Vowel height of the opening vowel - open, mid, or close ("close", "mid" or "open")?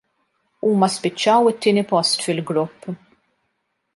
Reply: close